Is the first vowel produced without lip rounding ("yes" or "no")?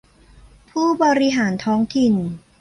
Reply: no